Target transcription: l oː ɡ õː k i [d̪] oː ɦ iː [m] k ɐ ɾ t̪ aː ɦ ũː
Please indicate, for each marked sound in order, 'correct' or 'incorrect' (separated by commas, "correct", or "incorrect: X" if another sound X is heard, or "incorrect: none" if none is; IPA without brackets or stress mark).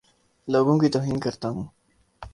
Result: incorrect: t̪, incorrect: n